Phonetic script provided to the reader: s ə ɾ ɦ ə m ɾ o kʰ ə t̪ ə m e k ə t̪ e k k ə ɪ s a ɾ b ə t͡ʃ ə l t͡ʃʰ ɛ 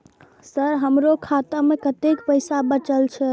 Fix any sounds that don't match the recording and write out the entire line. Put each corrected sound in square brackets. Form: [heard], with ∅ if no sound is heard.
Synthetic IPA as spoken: s ə ɾ ɦ ə m ɾ o kʰ [a] t̪ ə m e k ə t̪ e k [p] ə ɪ s a [∅] b ə t͡ʃ ə l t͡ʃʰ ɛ